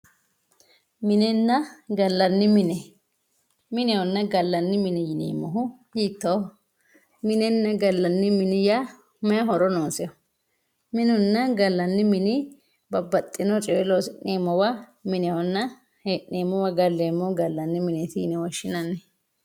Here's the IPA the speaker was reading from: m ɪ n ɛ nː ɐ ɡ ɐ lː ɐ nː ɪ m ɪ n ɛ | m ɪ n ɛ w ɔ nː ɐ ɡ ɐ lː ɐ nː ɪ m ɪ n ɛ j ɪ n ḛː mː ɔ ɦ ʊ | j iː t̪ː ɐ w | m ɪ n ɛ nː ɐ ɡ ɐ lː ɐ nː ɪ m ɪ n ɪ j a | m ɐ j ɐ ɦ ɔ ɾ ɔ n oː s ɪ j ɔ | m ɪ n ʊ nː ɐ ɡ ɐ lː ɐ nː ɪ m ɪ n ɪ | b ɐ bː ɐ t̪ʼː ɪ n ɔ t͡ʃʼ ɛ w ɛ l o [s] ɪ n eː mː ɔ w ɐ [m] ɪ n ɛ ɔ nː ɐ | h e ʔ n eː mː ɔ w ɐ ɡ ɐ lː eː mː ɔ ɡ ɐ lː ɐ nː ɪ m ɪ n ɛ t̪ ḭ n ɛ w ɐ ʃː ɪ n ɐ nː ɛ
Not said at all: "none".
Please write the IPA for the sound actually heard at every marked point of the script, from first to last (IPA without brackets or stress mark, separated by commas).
s, m